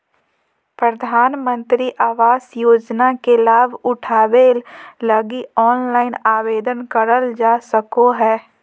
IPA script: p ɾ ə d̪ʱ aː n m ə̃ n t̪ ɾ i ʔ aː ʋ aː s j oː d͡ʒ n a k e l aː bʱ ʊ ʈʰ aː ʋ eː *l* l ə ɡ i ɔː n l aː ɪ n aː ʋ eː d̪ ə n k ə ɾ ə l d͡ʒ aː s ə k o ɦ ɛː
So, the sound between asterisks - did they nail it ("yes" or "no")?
yes